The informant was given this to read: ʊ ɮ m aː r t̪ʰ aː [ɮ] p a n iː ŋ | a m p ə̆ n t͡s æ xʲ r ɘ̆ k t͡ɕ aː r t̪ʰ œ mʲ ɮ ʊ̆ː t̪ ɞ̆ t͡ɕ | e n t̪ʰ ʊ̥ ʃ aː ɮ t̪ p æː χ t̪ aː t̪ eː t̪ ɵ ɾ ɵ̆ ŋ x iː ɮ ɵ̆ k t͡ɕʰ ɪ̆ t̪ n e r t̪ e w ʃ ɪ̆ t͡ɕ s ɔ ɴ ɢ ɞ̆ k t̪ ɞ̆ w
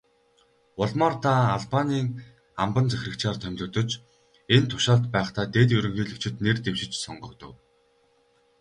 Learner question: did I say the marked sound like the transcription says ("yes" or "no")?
yes